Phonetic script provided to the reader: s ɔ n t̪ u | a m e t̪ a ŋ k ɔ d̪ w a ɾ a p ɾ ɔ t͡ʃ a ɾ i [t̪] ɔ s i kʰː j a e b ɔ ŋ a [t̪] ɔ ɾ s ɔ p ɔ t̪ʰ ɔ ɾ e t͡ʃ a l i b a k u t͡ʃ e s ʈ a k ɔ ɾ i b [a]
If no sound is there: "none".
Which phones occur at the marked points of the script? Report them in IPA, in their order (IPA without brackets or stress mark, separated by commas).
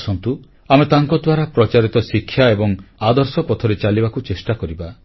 t̪, d̪, a